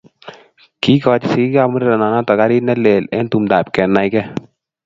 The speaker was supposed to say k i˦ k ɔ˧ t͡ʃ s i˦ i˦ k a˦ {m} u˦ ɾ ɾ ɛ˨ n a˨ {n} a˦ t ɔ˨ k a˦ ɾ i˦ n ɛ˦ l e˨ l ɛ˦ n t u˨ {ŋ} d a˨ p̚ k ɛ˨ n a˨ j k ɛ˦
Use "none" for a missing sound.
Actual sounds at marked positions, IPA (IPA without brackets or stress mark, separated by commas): m, n, m